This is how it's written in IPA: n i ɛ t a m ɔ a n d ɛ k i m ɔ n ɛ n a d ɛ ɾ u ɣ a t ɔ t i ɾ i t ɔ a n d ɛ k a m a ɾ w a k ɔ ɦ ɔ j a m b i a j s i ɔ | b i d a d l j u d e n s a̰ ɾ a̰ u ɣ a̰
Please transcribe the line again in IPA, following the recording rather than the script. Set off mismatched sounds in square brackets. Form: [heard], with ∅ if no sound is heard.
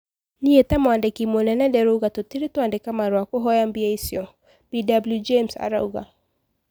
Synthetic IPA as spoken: n i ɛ t a m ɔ a n d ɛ k i m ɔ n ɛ n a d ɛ ɾ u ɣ a t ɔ t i ɾ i t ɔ a n d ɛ k a m a ɾ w a k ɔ ɦ ɔ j a m b i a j s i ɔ | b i d a [b] l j u [d͡ʒ] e [m] s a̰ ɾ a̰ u ɣ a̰